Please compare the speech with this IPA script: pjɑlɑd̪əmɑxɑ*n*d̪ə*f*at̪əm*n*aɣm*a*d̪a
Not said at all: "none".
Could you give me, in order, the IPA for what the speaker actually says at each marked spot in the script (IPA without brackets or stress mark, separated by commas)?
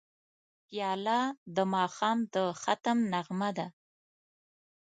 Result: m, x, n, a